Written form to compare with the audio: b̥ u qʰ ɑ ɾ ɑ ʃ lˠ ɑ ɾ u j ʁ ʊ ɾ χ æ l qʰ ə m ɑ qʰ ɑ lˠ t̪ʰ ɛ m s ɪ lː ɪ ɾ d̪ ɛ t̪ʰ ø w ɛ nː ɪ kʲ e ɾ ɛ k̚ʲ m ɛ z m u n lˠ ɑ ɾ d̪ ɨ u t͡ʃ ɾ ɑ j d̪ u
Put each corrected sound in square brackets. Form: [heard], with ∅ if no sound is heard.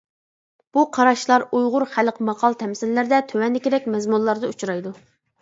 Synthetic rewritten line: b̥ u qʰ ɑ ɾ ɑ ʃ lˠ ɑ ɾ u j ʁ ʊ ɾ χ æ l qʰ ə m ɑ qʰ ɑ lˠ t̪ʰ ɛ m s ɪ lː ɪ ɾ d̪ ɛ t̪ʰ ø w ɛ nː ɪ kʲ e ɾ ɛ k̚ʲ m ɛ z m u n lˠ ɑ ɾ d̪ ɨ u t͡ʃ ɾ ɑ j d̪ u